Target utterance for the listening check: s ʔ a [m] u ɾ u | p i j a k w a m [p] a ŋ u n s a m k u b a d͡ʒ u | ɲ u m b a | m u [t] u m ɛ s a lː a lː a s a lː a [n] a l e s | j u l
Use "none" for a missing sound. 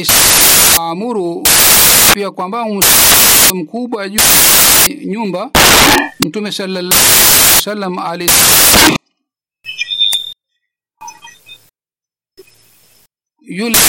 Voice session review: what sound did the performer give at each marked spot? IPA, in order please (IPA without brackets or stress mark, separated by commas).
m, b, t, m